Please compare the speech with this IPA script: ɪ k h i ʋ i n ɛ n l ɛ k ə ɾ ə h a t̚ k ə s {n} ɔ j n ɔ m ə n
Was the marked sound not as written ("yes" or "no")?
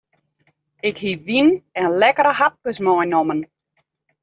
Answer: yes